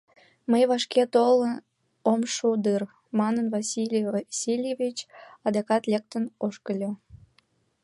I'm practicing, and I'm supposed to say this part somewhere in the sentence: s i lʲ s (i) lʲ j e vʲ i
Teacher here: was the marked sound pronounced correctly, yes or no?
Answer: yes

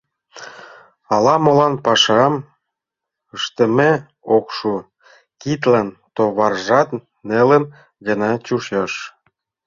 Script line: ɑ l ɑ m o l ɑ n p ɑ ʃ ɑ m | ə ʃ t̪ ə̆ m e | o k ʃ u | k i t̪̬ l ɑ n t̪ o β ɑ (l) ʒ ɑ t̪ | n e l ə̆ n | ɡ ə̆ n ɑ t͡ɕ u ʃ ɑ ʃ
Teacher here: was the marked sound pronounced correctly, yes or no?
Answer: no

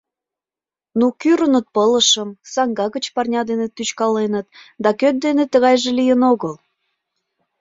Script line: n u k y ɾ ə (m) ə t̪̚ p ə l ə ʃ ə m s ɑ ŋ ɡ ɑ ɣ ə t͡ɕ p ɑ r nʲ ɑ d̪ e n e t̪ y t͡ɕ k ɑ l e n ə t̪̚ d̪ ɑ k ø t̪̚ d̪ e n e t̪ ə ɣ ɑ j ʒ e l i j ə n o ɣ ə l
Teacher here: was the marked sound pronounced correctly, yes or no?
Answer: no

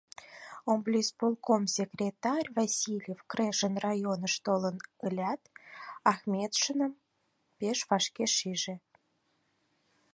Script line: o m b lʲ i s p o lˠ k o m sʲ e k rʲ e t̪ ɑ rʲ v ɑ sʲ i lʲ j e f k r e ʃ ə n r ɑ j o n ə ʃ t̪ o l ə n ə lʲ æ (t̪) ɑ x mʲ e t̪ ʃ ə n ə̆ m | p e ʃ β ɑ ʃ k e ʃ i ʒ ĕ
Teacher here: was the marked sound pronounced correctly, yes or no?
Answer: yes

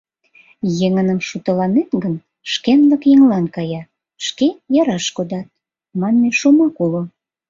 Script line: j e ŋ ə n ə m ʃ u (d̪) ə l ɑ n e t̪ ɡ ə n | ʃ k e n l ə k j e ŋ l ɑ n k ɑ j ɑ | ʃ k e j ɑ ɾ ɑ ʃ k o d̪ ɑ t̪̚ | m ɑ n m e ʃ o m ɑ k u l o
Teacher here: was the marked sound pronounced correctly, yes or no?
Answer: no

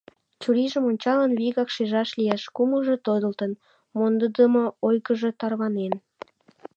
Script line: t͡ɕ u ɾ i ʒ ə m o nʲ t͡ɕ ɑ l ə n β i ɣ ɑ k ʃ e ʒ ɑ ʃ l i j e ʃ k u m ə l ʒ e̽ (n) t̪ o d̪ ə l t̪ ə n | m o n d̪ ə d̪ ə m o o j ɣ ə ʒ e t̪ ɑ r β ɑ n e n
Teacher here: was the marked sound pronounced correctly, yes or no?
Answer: no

